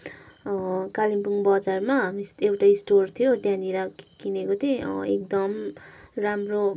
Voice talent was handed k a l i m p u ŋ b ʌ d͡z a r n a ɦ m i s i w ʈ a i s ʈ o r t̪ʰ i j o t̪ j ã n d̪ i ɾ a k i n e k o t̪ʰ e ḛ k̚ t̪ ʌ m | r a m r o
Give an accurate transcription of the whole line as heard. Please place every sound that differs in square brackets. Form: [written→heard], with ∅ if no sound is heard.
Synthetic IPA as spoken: k a l i m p u ŋ b ʌ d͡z a r [n→m] a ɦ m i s [i→e] w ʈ a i s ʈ o r t̪ʰ i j o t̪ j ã n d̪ i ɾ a k i n e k o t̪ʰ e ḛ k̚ [t̪→d̪] ʌ m | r a m r o